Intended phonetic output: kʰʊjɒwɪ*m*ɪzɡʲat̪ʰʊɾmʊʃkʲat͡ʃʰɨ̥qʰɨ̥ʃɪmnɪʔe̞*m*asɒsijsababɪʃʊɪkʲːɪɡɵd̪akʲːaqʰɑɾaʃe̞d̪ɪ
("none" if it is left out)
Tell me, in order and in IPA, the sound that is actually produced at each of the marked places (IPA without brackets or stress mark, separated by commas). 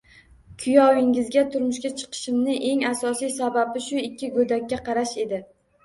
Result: ŋ, ŋ